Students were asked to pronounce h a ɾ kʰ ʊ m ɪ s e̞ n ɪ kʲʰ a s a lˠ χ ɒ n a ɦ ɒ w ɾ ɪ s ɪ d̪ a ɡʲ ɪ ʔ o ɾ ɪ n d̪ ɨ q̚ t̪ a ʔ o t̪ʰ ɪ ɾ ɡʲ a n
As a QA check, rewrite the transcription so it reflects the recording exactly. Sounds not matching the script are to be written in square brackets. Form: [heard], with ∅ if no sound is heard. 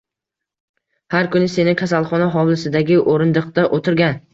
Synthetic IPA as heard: h a ɾ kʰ ʊ [n] ɪ s e̞ n ɪ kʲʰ a s a lˠ χ ɒ n a ɦ ɒ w [l] ɪ s ɪ d̪ a ɡʲ ɪ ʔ o ɾ ɪ n d̪ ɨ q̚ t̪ a ʔ o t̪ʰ ɪ ɾ ɡʲ a n